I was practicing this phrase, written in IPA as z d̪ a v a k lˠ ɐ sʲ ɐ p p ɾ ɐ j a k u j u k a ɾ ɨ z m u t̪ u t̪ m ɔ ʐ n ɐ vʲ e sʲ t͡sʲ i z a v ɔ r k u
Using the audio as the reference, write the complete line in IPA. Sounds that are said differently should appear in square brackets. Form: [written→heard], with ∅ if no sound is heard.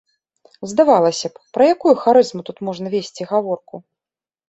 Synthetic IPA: z d̪ a v a [k→∅] lˠ ɐ sʲ ɐ p p ɾ ɐ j a k u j u [k→x] a ɾ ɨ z m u t̪ u t̪ m ɔ ʐ n ɐ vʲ e sʲ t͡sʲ i [z→ɣ] a v ɔ r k u